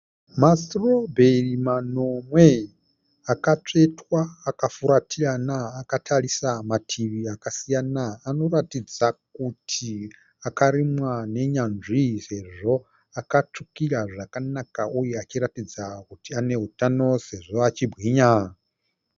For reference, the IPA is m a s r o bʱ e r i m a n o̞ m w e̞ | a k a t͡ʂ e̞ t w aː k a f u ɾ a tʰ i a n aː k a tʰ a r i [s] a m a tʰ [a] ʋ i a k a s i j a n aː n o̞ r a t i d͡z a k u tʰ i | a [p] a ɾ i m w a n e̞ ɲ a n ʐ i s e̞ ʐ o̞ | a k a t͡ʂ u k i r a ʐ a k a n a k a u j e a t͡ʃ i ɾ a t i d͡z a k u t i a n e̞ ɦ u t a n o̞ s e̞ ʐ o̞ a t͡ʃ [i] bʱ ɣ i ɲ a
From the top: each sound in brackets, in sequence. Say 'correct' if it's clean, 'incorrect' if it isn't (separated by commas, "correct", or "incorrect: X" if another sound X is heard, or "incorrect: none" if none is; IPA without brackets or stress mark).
correct, incorrect: i, incorrect: k, correct